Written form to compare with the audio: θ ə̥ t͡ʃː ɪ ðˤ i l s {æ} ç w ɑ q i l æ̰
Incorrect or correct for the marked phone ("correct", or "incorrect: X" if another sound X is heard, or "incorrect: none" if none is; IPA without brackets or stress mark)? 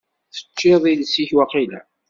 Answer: incorrect: i